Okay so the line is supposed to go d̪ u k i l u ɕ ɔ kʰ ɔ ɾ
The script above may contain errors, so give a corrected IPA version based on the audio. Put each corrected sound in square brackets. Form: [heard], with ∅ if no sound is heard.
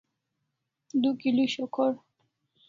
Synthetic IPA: d̪ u k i l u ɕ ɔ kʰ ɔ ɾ